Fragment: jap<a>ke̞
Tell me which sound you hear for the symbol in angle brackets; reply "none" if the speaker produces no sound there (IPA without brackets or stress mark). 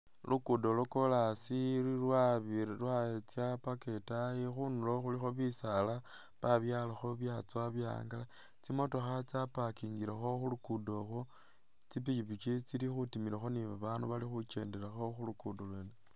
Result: a